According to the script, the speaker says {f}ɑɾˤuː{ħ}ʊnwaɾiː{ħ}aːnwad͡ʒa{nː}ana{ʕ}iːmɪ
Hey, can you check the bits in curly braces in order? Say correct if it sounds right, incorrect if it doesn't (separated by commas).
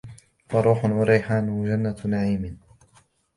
correct, correct, correct, correct, correct